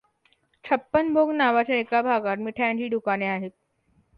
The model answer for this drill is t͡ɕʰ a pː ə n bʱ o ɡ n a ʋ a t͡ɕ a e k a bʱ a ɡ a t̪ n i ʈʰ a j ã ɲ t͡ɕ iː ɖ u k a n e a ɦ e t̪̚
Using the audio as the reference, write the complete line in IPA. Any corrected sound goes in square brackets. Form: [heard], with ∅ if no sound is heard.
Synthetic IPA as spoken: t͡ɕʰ [ə] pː ə n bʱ o ɡ n a ʋ a t͡ɕ a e k a bʱ a ɡ a t̪ [m] i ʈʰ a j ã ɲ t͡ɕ iː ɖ u k a n e a ɦ e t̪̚